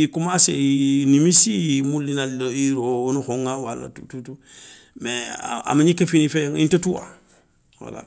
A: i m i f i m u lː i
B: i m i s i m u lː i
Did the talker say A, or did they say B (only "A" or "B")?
B